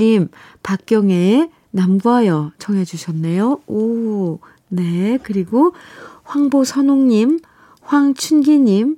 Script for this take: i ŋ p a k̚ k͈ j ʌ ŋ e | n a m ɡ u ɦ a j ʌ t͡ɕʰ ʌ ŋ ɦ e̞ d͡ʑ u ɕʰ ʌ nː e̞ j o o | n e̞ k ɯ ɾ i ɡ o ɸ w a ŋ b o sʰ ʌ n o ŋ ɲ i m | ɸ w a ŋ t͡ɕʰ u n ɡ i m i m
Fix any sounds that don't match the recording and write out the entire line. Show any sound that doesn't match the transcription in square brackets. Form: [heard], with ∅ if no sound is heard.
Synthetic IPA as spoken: i [m] p a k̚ k͈ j ʌ ŋ e | n a m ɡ u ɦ a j ʌ t͡ɕʰ ʌ ŋ ɦ e̞ d͡ʑ u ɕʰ ʌ nː e̞ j o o | n e̞ k ɯ ɾ i ɡ o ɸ w a ŋ b o sʰ ʌ n o ŋ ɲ i m | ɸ w a ŋ t͡ɕʰ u n ɡ i [ɲ] i m